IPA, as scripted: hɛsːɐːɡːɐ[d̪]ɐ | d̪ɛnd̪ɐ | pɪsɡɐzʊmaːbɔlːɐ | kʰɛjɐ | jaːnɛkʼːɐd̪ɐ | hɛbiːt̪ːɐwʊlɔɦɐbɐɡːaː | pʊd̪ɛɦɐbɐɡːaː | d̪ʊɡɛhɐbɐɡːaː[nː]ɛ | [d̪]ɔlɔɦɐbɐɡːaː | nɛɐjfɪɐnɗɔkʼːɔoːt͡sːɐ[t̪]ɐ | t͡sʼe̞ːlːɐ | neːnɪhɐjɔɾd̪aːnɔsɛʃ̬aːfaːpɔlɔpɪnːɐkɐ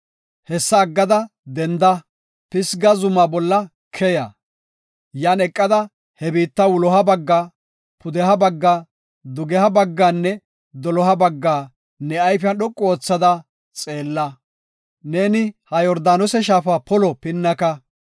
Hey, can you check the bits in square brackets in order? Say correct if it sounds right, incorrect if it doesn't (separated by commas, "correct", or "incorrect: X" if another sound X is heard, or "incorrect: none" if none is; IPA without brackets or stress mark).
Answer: correct, correct, correct, incorrect: d̪